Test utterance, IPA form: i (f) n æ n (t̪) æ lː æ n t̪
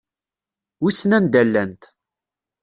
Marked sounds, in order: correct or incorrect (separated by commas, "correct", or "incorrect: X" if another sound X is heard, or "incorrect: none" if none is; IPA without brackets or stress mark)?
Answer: incorrect: s, incorrect: d̪